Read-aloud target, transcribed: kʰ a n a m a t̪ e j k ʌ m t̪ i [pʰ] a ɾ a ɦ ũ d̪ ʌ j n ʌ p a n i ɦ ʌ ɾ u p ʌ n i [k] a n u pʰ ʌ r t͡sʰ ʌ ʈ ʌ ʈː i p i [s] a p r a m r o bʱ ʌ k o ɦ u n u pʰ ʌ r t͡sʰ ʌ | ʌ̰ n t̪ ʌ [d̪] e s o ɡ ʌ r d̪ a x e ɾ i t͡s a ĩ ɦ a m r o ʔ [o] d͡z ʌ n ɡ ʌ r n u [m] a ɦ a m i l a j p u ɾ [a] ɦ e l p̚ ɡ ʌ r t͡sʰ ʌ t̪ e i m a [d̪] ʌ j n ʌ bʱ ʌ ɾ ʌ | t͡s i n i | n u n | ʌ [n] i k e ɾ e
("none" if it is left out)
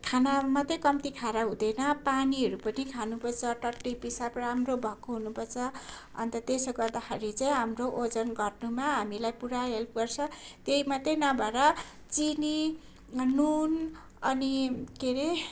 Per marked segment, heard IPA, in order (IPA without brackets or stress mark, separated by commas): kʰ, kʰ, s, t̪, o, m, a, t̪, n